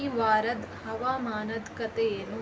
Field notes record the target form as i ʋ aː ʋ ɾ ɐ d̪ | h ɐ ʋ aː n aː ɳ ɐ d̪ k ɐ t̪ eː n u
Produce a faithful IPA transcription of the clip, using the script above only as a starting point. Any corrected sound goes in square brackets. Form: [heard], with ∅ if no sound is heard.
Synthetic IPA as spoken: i ʋ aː [∅] ɾ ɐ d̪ | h ɐ ʋ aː [m] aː [n] ɐ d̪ k ɐ t̪ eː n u

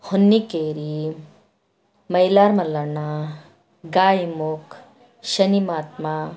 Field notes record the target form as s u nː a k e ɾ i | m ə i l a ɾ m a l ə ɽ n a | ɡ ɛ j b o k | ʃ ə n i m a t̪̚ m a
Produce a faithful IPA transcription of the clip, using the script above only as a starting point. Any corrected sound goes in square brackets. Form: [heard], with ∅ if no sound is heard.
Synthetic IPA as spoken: [h] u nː [i] k e ɾ i | m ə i l a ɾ m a l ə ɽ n a | ɡ [a] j [m] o k | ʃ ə n i m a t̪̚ m a

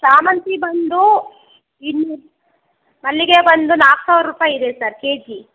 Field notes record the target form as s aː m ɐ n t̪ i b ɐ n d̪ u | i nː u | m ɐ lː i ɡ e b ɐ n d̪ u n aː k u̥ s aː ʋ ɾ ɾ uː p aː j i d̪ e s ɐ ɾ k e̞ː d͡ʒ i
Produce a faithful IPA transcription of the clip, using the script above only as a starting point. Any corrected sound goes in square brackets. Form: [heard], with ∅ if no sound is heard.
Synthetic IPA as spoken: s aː m ɐ n t̪ i b ɐ n d̪ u | i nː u | m ɐ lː i ɡ e b ɐ n d̪ u n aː k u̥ s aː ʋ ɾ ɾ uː p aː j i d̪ e s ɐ ɾ k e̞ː d͡ʒ i

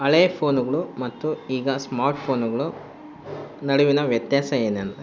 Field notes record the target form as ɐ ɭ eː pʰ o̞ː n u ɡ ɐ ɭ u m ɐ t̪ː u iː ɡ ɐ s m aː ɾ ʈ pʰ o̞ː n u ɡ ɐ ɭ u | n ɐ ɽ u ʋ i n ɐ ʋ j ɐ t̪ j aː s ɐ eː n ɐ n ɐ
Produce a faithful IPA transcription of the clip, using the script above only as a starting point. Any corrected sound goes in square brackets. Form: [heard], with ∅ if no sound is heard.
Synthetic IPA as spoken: ɐ ɭ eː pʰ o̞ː n u ɡ ɐ ɭ u m ɐ t̪ː u iː ɡ ɐ s m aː ɾ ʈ pʰ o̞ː n u ɡ ɐ ɭ u | n ɐ ɽ u ʋ i n ɐ ʋ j ɐ t̪ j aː s ɐ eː n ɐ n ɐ

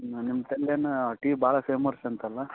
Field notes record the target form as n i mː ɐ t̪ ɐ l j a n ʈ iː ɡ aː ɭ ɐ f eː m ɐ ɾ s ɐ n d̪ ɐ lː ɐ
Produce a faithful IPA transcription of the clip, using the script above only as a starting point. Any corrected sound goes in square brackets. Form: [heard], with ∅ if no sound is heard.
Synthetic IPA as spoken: n i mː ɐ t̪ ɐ l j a n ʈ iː [b] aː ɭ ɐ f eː m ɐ ɾ s ɐ n [t̪] ɐ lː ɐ

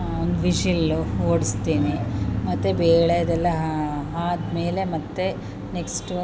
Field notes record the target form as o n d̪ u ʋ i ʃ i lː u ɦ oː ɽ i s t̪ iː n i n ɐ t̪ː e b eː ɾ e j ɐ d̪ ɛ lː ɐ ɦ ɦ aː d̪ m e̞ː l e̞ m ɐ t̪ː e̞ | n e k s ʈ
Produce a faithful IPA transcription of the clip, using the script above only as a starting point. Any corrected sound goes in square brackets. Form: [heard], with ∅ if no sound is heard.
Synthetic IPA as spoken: o n d̪ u ʋ i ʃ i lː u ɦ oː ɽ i s t̪ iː n i [m] ɐ t̪ː e b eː [ɭ] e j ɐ d̪ ɛ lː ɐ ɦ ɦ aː d̪ m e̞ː l e̞ m ɐ t̪ː e̞ | n e k s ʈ

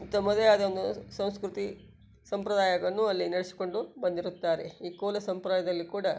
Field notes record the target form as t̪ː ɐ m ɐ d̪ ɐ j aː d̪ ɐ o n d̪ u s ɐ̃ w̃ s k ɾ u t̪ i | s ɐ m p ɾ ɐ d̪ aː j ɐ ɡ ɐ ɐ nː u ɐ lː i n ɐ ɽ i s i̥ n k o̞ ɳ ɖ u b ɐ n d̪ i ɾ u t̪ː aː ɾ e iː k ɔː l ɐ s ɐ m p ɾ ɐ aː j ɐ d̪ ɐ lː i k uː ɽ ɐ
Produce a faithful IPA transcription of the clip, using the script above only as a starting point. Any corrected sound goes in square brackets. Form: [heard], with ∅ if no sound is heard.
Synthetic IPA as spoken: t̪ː ɐ m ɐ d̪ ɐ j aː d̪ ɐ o n d̪ u s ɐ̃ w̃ s k ɾ u t̪ i | s ɐ m p ɾ ɐ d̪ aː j ɐ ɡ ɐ ɐ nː u ɐ lː i n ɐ ɽ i s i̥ [∅] k o̞ ɳ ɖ u b ɐ n d̪ i ɾ u t̪ː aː ɾ e iː k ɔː l ɐ s ɐ m p ɾ ɐ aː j ɐ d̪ ɐ lː i k uː ɽ ɐ

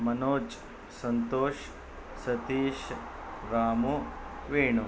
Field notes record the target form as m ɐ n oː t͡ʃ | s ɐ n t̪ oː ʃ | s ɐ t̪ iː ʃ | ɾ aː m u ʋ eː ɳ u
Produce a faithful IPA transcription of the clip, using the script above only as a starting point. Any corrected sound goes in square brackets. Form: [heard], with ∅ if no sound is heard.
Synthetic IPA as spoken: m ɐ n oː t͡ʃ | s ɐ n t̪ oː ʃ | s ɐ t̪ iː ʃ | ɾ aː m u ʋ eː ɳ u

